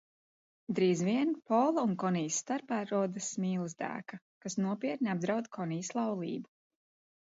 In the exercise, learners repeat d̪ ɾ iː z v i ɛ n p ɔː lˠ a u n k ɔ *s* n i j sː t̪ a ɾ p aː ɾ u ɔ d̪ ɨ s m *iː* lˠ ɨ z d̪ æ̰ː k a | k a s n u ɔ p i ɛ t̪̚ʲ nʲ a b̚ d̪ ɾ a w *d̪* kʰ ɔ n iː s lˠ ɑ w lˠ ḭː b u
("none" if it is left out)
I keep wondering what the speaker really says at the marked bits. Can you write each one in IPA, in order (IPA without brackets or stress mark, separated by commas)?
none, iː, d̪